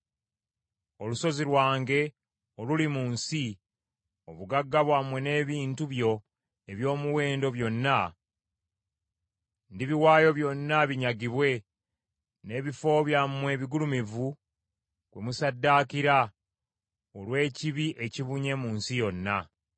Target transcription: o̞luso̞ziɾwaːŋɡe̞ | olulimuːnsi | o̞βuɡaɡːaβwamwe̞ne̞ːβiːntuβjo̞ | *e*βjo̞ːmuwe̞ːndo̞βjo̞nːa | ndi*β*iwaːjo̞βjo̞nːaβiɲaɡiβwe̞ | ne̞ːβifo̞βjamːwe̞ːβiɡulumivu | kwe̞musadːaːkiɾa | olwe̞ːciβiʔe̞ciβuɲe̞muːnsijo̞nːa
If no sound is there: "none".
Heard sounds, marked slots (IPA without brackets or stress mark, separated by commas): e, β